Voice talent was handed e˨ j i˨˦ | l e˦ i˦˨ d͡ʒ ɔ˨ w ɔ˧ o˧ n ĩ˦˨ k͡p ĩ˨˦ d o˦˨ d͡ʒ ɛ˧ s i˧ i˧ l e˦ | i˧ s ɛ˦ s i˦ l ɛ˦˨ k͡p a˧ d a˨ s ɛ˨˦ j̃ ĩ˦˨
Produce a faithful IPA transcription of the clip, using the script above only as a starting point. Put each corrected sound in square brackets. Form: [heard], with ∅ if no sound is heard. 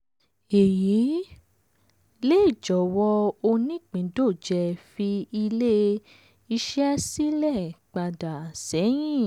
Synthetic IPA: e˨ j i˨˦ | l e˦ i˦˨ d͡ʒ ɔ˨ w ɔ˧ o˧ n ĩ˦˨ k͡p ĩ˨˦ d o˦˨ d͡ʒ ɛ˧ [f] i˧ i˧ l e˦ | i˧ [ʃ] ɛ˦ s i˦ l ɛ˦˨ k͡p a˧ d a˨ s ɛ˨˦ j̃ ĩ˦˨